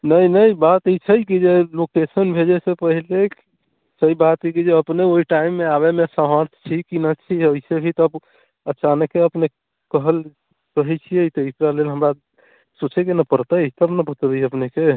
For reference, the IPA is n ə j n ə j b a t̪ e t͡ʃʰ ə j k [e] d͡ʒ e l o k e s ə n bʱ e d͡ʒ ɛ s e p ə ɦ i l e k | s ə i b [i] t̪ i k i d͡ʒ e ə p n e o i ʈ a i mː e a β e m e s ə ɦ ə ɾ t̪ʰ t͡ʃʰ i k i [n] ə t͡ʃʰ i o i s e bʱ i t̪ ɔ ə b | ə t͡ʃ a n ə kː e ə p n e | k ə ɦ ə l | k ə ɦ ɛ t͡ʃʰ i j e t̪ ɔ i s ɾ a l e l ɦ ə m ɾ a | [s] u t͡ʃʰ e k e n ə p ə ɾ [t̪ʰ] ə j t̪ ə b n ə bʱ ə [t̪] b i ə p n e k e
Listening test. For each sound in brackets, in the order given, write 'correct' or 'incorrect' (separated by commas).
incorrect, incorrect, correct, correct, incorrect, correct